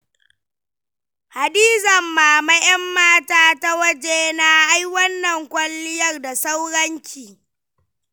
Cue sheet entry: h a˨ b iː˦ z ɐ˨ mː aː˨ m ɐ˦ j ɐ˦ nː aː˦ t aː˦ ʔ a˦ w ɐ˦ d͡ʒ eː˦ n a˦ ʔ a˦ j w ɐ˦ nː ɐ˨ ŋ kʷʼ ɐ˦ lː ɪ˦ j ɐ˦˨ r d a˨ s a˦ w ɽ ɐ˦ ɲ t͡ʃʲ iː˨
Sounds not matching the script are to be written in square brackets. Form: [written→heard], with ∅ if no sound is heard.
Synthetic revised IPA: h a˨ [b→d] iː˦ z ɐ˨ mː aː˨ m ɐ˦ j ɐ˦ [nː→mː] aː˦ t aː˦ [ʔ→t] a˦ w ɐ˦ d͡ʒ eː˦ n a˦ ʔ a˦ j w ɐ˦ nː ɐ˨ ŋ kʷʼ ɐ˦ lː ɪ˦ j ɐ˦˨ r d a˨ s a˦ w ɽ ɐ˦ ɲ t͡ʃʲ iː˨